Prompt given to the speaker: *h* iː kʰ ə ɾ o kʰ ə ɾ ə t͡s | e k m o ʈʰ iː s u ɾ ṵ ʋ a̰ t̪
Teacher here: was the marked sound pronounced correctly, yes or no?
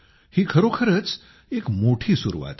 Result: yes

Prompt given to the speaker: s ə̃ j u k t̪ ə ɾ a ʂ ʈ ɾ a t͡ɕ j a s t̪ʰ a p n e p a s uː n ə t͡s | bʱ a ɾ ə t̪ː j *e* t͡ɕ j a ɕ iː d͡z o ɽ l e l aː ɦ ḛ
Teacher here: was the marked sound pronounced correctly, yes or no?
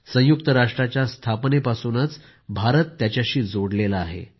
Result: no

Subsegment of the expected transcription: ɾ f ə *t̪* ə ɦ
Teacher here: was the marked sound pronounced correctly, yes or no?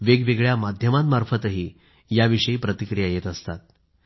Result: yes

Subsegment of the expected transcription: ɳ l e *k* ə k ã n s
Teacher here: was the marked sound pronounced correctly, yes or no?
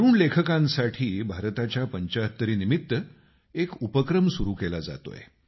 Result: no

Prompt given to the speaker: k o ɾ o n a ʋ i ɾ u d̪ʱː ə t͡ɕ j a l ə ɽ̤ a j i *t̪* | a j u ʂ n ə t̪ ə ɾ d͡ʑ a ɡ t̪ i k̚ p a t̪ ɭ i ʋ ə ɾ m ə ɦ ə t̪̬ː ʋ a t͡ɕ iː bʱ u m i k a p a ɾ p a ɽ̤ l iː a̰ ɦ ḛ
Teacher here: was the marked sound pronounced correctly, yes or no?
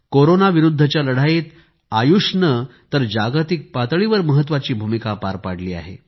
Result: yes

